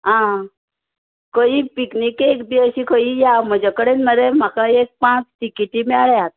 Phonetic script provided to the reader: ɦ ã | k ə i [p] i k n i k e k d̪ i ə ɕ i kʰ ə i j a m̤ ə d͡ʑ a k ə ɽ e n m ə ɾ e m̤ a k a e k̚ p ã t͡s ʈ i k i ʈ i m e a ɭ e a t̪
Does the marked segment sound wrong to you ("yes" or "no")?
no